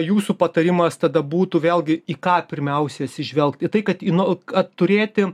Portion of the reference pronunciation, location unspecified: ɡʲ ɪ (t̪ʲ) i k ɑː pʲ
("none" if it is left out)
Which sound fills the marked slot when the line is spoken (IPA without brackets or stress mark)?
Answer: none